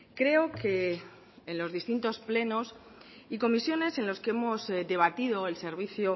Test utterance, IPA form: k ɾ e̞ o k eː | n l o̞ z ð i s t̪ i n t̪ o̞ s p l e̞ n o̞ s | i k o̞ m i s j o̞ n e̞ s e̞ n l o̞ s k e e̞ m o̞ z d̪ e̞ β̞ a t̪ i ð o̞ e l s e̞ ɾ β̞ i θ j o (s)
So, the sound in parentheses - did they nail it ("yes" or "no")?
no